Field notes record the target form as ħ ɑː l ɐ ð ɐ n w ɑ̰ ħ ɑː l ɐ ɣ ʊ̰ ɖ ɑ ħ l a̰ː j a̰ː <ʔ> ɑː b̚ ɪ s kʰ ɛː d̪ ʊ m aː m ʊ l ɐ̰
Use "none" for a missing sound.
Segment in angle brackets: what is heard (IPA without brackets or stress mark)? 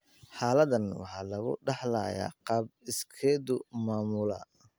q